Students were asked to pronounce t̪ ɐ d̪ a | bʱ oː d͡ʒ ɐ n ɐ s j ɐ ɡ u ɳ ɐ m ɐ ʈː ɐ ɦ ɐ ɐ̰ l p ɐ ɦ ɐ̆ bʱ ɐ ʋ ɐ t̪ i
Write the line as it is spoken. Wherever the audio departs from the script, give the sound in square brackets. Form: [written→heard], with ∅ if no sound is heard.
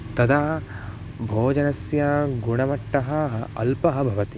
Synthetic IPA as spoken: t̪ ɐ d̪ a | bʱ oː d͡ʒ ɐ n ɐ s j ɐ ɡ u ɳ ɐ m ɐ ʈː ɐ ɦ ɐ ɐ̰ l p ɐ ɦ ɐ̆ bʱ ɐ ʋ ɐ t̪ i